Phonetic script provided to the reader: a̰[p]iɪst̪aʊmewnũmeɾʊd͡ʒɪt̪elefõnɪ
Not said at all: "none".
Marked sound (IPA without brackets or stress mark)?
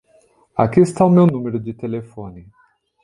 k